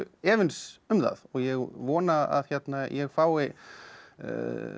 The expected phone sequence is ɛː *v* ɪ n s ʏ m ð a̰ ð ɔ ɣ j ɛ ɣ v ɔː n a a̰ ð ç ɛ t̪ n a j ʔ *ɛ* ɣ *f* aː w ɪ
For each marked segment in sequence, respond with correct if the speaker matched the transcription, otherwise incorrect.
correct, correct, correct

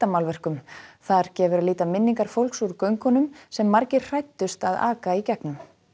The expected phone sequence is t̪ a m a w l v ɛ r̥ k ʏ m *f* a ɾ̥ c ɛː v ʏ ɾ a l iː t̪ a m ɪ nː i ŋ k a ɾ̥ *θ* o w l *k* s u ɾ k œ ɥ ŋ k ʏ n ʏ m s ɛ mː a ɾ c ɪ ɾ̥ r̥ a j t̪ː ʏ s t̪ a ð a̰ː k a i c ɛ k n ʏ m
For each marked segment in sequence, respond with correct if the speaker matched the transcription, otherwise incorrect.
incorrect: θ, incorrect: f, correct

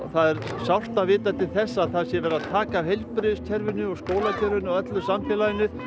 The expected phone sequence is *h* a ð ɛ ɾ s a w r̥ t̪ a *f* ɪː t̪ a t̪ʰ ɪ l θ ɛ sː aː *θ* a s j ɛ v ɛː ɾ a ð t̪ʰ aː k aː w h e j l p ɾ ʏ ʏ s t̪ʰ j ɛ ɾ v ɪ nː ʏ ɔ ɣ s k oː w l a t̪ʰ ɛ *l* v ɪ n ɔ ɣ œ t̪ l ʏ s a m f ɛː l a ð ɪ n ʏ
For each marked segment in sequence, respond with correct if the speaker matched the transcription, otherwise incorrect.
incorrect: θ, incorrect: v, correct, incorrect: ɾ

